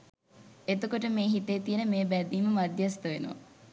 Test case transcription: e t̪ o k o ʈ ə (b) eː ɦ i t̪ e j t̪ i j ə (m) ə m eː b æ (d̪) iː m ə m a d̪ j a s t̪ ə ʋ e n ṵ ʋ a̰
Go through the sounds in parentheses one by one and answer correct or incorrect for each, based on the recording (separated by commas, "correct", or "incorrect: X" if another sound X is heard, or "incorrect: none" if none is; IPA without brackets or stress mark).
incorrect: m, incorrect: n, correct